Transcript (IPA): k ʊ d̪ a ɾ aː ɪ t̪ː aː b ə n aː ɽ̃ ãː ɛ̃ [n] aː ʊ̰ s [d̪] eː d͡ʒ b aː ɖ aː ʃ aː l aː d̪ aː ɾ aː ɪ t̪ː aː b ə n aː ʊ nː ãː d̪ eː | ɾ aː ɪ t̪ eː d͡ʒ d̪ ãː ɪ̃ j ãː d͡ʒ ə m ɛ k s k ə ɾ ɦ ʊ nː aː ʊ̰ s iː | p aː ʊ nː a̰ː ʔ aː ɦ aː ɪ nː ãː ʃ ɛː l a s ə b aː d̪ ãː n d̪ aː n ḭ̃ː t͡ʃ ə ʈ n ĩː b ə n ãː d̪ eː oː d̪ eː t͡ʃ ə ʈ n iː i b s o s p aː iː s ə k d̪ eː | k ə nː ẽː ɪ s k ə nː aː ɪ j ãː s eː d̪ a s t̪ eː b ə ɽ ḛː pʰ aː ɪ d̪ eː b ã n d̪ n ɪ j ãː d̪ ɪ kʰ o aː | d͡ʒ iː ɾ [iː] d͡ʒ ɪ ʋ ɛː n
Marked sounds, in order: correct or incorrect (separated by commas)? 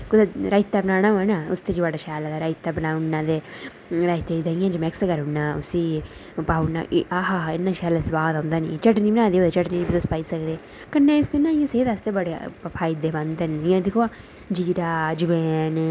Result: correct, incorrect, incorrect